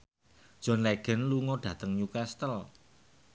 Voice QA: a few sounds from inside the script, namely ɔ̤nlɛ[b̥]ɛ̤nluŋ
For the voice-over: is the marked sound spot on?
no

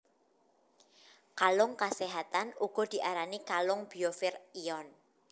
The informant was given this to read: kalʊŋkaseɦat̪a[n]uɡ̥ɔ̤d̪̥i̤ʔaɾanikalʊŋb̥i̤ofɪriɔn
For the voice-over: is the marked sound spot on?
yes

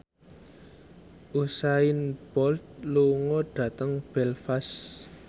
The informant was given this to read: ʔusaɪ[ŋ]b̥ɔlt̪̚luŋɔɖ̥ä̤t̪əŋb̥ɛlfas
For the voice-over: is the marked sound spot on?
no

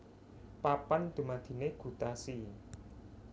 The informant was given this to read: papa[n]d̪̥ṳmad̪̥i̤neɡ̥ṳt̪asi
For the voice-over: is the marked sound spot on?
yes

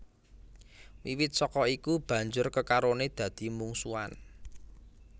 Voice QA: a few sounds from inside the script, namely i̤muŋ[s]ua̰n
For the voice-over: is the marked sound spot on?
yes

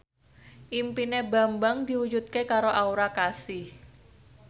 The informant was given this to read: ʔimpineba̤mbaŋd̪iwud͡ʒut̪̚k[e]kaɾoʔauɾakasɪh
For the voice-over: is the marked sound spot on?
yes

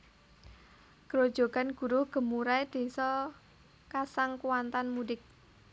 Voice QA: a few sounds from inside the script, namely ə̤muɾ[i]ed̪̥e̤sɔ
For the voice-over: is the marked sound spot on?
no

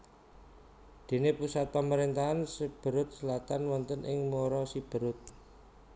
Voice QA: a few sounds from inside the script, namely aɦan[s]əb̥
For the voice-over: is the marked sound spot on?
yes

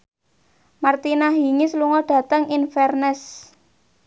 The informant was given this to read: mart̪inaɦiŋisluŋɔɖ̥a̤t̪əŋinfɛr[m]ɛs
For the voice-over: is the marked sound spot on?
no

